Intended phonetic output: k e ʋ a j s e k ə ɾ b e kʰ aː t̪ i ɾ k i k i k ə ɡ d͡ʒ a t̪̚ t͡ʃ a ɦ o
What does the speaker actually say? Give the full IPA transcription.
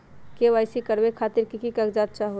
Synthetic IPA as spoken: k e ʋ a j s i k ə ɾ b e kʰ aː t̪ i ɾ k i k i k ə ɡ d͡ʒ a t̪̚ t͡ʃ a ɦ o